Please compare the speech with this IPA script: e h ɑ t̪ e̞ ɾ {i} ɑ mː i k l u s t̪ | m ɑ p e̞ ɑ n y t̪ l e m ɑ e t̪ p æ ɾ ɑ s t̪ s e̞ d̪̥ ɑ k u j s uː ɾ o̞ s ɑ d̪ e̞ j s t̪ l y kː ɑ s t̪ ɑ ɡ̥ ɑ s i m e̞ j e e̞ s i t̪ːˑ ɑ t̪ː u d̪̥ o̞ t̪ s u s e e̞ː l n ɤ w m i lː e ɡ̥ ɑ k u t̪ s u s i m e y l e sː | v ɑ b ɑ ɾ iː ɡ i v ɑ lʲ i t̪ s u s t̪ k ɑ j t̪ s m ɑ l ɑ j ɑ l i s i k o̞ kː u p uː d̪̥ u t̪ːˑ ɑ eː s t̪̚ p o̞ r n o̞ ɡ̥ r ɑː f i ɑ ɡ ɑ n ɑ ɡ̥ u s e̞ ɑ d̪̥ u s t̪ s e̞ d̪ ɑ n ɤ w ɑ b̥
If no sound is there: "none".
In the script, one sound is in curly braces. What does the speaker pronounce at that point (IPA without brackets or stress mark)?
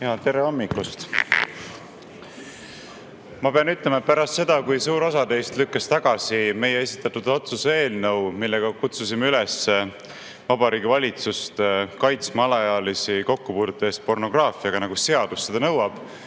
e